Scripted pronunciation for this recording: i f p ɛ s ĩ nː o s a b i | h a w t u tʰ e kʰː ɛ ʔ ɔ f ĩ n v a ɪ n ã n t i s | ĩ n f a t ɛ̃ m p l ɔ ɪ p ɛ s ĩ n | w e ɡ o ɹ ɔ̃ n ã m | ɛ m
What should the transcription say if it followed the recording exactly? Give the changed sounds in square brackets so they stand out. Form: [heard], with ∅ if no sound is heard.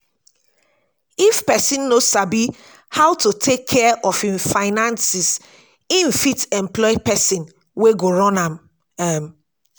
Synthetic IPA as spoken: i f p ɛ s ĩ nː o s a b i | h a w t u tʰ e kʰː ɛ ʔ ɔ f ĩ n [f] a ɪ n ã n [s] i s | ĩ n f [i] t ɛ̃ m p l ɔ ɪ p ɛ s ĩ n | w e ɡ o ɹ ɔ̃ n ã m | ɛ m